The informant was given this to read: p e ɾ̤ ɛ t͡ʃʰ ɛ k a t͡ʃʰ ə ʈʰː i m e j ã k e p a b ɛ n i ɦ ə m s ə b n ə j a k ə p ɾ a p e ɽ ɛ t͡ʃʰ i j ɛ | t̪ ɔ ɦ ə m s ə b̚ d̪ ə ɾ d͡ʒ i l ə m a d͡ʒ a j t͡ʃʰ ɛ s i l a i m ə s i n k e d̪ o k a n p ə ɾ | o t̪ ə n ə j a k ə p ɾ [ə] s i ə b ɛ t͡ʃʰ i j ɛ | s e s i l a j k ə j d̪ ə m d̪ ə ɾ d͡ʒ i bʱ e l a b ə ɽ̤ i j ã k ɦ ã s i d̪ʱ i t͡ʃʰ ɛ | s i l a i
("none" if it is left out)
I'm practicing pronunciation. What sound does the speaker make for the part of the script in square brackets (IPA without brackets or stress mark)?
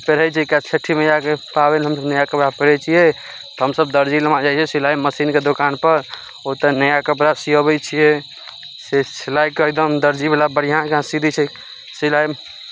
a